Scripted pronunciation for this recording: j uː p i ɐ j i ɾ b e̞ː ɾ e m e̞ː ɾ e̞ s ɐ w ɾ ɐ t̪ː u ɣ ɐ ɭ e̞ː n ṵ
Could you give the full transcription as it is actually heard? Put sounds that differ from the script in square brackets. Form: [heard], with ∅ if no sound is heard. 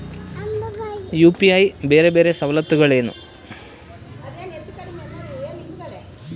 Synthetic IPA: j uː p i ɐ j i [∅] b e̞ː ɾ e [b] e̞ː ɾ e̞ s ɐ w [l] ɐ t̪ː u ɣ ɐ ɭ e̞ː n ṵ